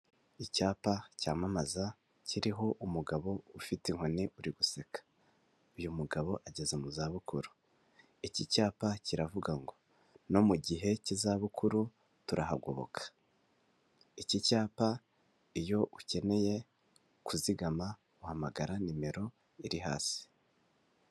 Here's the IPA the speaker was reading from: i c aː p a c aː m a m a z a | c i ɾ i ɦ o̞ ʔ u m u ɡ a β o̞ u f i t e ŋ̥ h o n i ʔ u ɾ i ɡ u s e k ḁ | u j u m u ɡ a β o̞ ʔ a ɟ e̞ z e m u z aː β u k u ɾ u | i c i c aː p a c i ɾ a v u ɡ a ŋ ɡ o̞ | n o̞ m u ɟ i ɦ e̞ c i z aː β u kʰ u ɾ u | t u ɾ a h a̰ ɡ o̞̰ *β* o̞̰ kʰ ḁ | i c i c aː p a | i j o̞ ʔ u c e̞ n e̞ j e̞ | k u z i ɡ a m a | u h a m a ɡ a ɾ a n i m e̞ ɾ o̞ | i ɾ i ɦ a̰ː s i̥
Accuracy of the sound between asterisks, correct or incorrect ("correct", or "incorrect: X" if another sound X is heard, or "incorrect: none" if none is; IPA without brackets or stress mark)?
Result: correct